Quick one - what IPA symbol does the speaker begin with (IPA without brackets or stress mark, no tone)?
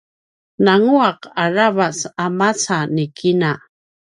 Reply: n